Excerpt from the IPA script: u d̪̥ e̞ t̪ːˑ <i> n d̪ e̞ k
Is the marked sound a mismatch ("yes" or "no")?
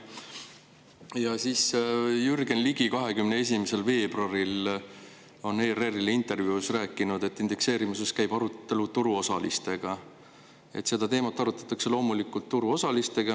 no